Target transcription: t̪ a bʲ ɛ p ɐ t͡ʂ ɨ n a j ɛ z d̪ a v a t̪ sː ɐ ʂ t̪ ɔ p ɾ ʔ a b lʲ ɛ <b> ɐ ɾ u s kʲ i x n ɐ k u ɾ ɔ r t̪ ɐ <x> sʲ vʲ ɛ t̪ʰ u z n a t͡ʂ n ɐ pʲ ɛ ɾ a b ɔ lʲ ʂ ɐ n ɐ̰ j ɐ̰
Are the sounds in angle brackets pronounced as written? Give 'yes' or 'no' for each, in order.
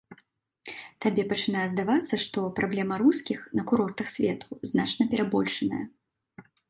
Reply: no, yes

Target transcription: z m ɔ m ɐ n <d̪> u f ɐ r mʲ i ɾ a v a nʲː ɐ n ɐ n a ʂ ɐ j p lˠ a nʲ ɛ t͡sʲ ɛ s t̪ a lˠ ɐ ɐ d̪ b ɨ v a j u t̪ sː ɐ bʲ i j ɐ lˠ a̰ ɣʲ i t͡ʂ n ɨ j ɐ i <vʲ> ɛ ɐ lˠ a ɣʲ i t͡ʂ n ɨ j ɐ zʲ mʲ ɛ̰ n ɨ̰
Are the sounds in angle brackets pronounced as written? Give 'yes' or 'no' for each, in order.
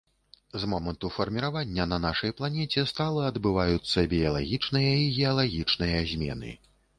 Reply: no, no

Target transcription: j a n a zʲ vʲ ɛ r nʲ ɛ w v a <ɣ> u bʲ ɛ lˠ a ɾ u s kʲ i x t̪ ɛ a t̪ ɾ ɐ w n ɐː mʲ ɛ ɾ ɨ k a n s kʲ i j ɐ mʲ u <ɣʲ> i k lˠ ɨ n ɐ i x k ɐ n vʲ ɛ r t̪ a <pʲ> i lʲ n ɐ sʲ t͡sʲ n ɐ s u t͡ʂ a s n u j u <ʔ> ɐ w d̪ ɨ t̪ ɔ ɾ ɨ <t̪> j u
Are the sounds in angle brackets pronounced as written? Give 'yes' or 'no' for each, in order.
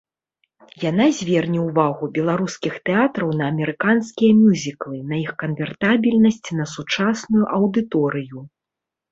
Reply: yes, no, no, yes, no

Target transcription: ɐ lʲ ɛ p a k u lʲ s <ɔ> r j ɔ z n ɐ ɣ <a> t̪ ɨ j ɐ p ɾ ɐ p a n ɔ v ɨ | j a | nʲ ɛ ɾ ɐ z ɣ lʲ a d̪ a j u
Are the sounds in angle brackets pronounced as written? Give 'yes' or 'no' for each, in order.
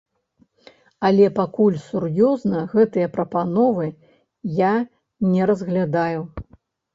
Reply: no, no

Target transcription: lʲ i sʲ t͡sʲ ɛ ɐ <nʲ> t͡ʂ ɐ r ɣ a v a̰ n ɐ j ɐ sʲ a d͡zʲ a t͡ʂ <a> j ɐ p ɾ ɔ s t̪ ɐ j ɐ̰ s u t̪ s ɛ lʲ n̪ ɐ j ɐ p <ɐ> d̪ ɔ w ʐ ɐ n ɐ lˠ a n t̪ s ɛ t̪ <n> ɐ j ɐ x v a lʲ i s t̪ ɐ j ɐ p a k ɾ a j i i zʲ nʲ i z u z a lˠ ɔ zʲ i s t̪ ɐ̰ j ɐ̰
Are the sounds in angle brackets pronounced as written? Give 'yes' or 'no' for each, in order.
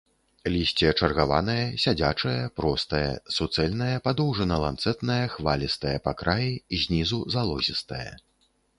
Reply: no, no, no, yes

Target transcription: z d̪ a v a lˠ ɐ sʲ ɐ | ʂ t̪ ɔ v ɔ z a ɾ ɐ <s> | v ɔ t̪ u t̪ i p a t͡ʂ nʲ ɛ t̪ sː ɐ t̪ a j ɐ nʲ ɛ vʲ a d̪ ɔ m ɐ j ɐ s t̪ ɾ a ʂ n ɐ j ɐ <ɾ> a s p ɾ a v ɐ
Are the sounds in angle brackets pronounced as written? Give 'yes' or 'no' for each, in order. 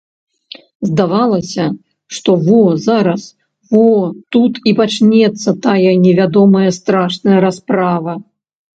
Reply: yes, yes

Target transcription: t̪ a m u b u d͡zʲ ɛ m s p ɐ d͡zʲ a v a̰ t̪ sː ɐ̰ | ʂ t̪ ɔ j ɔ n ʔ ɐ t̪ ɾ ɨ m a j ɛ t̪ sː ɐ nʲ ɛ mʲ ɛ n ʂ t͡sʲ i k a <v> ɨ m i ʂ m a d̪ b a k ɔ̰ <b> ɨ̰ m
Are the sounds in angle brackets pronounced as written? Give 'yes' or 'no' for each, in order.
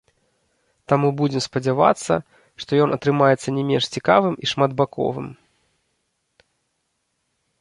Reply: yes, no

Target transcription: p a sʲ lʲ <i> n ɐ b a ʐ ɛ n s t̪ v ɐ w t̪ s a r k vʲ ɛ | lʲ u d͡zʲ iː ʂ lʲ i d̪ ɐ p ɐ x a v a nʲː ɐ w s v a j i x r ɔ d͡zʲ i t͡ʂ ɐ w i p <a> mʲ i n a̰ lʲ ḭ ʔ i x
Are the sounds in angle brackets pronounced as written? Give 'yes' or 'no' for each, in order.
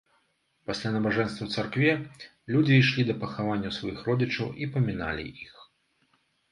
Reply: no, no

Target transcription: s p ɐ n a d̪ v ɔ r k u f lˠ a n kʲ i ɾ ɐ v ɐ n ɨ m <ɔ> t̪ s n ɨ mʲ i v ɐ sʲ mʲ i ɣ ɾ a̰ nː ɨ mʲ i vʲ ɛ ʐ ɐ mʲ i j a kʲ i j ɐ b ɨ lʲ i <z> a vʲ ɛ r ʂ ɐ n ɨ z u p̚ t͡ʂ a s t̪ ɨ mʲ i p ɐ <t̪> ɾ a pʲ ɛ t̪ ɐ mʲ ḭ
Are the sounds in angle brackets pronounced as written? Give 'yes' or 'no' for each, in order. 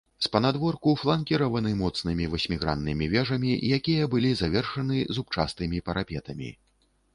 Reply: yes, yes, no

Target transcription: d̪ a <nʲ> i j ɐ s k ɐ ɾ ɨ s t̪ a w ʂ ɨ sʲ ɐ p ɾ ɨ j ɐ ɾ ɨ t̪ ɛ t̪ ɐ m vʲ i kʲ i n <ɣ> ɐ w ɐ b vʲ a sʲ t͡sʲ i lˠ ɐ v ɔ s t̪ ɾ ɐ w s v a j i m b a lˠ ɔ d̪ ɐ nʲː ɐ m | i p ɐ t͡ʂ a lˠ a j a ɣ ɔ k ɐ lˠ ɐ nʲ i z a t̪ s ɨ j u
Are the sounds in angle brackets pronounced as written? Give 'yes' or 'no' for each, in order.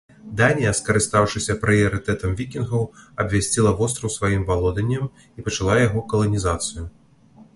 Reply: yes, yes

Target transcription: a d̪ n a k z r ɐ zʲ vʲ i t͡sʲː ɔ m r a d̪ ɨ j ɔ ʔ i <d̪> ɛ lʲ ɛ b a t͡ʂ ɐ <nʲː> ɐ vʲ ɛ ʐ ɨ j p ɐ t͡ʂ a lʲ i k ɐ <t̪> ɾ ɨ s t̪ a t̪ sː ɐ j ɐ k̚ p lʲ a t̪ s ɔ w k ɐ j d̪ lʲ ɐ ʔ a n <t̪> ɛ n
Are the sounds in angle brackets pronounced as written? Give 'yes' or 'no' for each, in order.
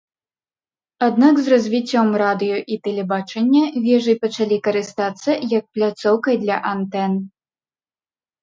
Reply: no, yes, no, yes

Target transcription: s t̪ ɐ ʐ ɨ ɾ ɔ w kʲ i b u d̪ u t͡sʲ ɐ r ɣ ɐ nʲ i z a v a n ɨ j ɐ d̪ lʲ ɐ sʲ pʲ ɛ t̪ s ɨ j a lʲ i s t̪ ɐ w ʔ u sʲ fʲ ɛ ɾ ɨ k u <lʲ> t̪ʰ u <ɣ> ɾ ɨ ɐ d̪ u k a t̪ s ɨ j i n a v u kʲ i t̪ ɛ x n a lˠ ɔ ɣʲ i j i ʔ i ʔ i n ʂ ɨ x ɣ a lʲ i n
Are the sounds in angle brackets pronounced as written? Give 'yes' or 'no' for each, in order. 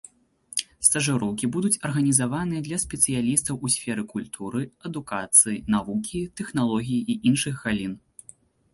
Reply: yes, no

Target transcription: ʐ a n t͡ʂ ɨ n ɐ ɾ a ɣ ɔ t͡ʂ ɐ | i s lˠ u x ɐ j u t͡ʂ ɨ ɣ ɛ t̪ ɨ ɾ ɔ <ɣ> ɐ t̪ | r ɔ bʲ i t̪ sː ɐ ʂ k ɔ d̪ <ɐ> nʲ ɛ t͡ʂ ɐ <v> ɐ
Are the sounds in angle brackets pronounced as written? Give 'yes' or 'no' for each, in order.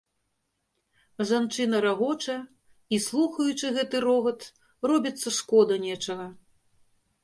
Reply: yes, yes, no

